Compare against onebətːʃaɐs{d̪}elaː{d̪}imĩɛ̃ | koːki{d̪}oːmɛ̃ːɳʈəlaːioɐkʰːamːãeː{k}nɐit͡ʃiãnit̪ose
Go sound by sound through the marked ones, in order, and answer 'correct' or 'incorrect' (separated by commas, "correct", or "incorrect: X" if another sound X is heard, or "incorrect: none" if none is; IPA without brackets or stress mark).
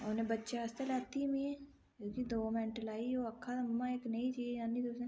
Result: incorrect: t̪, incorrect: t̪, correct, correct